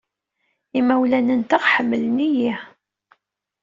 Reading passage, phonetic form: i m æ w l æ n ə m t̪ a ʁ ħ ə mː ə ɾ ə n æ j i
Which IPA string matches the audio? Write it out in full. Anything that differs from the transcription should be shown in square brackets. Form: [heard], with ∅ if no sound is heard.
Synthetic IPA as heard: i m æ w l æ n ə [n] t̪ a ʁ ħ ə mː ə [l] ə n [i] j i